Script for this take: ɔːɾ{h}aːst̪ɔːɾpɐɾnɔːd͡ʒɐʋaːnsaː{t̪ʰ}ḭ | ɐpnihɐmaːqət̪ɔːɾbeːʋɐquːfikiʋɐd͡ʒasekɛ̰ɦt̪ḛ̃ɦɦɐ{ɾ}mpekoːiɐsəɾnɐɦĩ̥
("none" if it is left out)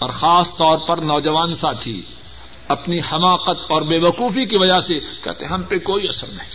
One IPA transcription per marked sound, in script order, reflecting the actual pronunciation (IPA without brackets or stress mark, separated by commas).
x, t̪ʰ, none